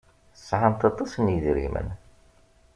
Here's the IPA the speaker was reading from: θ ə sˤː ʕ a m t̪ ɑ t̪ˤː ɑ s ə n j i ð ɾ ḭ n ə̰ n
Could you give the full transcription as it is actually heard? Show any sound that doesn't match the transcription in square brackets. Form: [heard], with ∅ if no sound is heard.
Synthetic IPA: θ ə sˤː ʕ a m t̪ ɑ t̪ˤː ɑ s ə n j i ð ɾ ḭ [m] ə̰ n